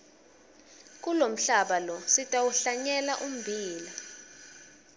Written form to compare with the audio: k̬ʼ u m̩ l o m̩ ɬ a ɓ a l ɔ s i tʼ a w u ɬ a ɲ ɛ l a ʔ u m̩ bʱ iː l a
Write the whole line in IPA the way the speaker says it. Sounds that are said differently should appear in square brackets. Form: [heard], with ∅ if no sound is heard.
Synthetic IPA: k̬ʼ u [∅] l o m̩ ɬ a ɓ a l ɔ s i tʼ a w u ɬ a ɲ ɛ l a ʔ u m̩ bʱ iː l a

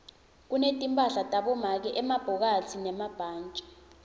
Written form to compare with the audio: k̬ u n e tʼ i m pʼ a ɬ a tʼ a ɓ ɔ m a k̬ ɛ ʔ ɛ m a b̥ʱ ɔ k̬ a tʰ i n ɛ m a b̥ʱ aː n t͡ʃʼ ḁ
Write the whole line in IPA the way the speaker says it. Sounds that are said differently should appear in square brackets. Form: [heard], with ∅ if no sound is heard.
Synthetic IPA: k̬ u n e tʼ i m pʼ a ɬ a tʼ a ɓ ɔ m a k̬ ɛ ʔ ɛ m a b̥ʱ ɔ k̬ a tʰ i n ɛ m a b̥ʱ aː n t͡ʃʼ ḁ

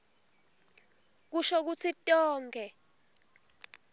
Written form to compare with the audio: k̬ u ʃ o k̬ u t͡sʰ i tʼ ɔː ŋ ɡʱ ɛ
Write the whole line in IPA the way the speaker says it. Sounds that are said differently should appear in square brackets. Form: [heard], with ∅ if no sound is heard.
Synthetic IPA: k̬ u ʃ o k̬ u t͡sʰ i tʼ ɔː ŋ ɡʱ ɛ

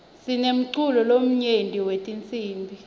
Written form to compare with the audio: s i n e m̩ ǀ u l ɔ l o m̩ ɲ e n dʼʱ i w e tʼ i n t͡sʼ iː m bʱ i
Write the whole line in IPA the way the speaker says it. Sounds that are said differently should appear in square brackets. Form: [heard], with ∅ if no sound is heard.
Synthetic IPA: s i n e m̩ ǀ u l ɔ l o m̩ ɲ e n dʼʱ i w e tʼ i n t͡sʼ iː m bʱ i

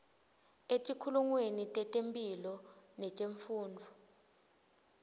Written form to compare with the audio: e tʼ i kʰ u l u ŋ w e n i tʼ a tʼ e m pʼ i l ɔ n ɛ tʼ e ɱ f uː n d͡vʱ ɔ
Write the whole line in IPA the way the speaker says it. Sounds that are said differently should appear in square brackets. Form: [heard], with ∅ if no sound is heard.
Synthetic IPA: e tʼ i kʰ u l u ŋ w e n i tʼ [ɛ] tʼ e m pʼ i l ɔ n ɛ tʼ e ɱ f uː n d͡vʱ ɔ

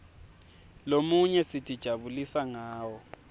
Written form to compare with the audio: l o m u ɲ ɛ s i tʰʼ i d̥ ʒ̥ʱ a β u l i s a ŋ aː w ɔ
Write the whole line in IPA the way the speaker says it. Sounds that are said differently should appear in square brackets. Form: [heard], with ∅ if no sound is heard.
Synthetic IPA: l o m u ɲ ɛ s i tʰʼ i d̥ ʒ̥ʱ a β u l i s a ŋ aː w ɔ

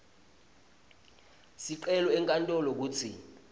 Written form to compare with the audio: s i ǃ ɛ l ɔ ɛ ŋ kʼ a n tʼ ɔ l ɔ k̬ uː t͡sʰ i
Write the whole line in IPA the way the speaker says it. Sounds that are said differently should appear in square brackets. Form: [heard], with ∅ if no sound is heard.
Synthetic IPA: s i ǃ ɛ l ɔ ɛ ŋ kʼ a n tʼ ɔ l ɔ k̬ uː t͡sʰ i

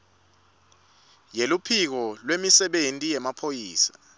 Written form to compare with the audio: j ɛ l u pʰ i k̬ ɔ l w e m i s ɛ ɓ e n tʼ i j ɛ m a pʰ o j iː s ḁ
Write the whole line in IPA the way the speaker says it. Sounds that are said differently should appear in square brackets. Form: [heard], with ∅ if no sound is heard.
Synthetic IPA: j [e] l u pʰ i k̬ ɔ l w e m i s ɛ ɓ e n tʼ i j ɛ m a pʰ o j iː s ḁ

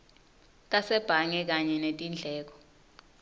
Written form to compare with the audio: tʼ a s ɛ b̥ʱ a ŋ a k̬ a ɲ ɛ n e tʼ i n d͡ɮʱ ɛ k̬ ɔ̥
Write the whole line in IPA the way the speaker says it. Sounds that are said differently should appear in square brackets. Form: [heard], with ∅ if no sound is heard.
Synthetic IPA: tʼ a s ɛ b̥ʱ a ŋ [ɛ] k̬ a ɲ ɛ n e tʼ i n d͡ɮʱ [ɛː] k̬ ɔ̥

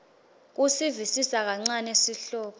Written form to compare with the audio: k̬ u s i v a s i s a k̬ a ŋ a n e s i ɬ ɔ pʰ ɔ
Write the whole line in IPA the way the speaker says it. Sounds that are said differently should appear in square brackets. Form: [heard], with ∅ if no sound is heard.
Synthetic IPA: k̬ u s i v [i] s i s a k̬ a [ŋ͡ǀ] a n e s i ɬ [ɔː] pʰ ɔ

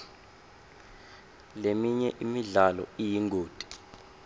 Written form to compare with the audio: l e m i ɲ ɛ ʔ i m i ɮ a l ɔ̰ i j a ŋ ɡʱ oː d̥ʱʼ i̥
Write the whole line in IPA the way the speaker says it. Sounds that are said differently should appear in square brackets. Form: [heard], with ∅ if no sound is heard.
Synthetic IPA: l e m i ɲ ɛ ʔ i m i ɮ a l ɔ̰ i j [i] ŋ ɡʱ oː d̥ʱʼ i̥

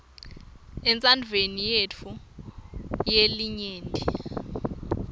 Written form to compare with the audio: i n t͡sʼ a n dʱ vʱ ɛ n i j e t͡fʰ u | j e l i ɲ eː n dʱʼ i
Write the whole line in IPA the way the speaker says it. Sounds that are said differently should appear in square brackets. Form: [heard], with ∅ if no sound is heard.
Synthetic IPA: [ɛ] n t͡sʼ a n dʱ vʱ [e] n i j e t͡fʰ u | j e l i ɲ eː n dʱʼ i

